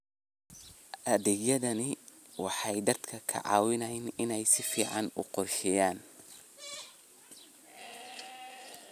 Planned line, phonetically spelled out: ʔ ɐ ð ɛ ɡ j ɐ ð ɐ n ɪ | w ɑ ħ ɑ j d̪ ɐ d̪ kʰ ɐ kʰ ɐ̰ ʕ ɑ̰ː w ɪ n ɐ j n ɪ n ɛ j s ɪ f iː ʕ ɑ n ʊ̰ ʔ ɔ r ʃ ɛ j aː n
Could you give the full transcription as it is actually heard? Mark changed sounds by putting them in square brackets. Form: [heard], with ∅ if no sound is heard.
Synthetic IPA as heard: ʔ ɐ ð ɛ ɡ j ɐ ð ɐ n ɪ | w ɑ ħ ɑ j d̪ ɐ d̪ kʰ ɐ kʰ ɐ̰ ʕ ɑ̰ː w ɪ n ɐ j n ɪ n ɛ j s ɪ f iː ʕ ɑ n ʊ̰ [q] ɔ r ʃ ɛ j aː n